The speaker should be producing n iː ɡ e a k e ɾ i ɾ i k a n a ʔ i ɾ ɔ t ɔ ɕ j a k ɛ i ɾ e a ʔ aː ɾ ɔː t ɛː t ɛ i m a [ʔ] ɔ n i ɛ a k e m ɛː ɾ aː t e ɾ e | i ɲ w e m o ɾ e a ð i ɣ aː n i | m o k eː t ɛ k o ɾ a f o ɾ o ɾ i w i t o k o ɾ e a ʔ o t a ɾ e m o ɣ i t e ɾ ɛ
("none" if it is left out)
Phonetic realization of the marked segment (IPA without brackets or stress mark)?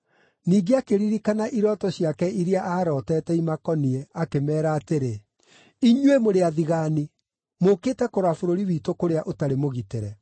k